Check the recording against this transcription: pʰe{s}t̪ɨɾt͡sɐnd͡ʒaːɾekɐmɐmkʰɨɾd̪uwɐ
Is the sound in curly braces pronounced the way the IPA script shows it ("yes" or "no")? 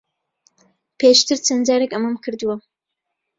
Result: no